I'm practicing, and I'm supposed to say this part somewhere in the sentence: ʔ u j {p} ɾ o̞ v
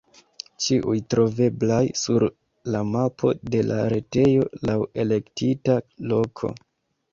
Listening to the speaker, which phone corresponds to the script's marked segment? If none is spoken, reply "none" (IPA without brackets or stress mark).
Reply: t